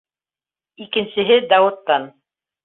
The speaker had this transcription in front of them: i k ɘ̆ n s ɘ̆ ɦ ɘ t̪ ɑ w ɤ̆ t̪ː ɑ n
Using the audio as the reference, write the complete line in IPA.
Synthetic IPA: i k ɘ̆ n s ɘ̆ ɦ ɘ d̪ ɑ w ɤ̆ t̪ː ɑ n